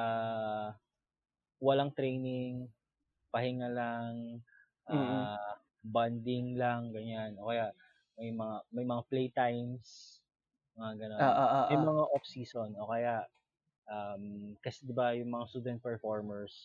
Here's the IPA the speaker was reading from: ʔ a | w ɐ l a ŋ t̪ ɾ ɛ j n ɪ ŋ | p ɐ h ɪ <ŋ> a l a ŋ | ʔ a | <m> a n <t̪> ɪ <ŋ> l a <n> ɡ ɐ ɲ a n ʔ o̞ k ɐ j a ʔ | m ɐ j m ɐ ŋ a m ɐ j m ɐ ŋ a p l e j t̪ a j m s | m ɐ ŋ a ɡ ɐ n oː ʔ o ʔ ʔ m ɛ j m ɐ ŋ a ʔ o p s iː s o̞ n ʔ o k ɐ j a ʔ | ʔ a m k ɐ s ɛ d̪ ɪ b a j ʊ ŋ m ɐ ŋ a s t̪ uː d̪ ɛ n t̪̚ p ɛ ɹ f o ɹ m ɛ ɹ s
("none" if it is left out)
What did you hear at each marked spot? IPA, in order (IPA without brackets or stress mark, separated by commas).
ŋ, b, d̪, ŋ, ŋ